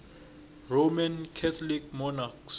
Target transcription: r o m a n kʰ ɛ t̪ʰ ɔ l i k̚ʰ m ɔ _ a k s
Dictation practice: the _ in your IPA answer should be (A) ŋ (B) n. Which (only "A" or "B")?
B